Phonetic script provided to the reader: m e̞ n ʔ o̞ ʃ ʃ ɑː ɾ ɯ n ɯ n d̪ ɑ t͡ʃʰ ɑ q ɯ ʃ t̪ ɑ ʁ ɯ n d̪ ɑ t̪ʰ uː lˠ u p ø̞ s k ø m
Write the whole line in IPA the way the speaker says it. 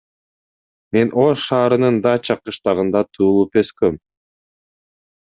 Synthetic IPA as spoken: m e̞ n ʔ o̞ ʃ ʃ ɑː ɾ ɯ n ɯ n d̪ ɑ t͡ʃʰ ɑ q ɯ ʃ t̪ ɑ ʁ ɯ n d̪ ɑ t̪ʰ uː lˠ u p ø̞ s k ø m